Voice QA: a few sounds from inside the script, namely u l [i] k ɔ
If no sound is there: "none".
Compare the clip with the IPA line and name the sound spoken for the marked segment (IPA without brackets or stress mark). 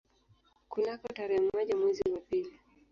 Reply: a